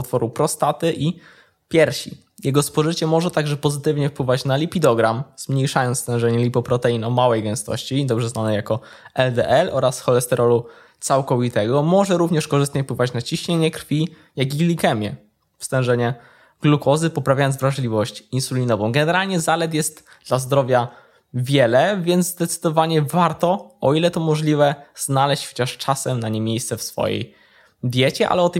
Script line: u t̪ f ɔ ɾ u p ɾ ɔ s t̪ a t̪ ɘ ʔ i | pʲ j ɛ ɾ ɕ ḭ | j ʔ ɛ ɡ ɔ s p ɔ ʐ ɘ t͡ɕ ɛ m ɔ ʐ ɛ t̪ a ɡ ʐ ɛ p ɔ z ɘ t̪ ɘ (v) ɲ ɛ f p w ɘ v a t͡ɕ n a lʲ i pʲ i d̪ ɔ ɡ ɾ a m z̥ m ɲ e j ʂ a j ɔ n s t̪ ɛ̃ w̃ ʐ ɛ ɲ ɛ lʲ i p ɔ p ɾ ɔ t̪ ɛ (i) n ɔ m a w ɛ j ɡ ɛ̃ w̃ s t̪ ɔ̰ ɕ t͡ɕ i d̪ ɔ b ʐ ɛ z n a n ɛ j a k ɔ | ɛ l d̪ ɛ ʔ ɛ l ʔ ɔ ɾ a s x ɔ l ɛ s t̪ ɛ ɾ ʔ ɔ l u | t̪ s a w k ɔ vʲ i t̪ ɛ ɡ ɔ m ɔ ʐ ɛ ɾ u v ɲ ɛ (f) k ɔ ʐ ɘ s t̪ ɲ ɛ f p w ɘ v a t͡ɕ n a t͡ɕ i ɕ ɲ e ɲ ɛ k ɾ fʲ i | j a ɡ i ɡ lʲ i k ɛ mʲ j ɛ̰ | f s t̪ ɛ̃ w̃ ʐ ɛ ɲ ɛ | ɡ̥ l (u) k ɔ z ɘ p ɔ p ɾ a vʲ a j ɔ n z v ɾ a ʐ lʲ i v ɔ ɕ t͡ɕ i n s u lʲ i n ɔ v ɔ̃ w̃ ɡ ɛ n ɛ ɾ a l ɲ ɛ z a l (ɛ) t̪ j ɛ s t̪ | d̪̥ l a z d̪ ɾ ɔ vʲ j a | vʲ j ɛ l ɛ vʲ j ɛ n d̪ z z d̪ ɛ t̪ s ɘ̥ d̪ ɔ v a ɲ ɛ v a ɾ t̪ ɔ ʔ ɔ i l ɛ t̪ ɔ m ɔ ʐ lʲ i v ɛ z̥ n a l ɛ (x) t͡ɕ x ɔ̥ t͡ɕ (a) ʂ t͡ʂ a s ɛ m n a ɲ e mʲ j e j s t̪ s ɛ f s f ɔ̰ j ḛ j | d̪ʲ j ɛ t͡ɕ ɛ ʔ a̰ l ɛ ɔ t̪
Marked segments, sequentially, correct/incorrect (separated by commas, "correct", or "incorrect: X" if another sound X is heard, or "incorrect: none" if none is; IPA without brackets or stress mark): correct, correct, incorrect: ʂ, correct, correct, incorrect: ɕ, correct